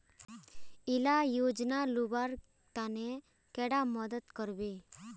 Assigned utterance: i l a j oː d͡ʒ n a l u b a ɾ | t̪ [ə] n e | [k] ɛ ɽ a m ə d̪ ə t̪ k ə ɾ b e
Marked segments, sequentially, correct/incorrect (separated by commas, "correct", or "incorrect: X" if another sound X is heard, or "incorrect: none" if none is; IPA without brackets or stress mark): incorrect: a, correct